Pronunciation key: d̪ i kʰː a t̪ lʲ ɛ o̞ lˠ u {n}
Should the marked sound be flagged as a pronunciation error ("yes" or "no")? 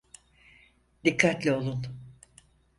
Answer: no